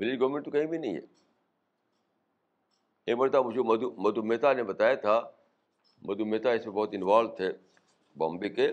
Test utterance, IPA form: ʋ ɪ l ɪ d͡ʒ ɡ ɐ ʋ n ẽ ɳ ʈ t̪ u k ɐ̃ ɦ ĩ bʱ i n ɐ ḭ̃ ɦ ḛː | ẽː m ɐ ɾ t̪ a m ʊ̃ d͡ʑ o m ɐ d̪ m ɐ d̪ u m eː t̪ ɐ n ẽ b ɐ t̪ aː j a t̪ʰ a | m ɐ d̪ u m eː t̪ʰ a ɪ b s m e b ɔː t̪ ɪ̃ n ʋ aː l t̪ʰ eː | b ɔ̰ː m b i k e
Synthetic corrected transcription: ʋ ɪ l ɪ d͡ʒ ɡ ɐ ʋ m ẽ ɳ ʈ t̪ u k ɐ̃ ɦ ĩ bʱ i n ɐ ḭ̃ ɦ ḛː | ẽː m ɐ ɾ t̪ a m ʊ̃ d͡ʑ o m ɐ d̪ m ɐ d̪ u m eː t̪ a n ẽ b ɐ t̪ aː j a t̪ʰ a | m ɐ d̪ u m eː t̪ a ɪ s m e b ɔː t̪ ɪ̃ n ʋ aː l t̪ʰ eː | b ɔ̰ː m b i k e